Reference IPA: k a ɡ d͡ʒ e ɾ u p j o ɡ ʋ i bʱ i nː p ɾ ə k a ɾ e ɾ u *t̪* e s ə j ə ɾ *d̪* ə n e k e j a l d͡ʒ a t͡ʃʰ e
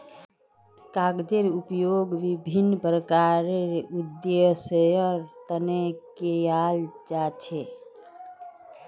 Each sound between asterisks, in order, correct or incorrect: incorrect: d̪, incorrect: t̪

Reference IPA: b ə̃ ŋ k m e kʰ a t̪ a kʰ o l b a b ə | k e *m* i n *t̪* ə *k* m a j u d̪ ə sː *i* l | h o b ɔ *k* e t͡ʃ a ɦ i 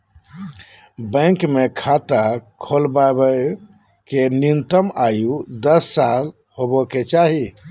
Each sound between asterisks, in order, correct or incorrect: incorrect: n, correct, incorrect: none, incorrect: a, correct

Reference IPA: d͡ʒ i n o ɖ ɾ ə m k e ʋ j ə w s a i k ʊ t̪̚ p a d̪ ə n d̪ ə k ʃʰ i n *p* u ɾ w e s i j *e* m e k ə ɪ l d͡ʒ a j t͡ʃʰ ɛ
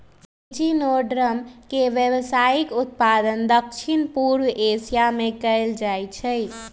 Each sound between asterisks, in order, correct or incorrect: correct, incorrect: a

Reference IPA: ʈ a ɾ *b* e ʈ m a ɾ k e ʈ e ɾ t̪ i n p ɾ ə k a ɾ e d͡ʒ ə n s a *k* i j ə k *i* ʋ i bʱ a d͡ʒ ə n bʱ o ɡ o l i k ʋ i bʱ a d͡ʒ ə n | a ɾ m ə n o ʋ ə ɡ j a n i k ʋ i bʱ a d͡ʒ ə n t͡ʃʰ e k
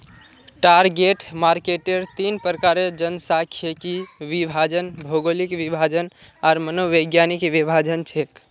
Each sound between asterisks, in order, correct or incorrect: incorrect: ɡ, incorrect: kʰ, correct

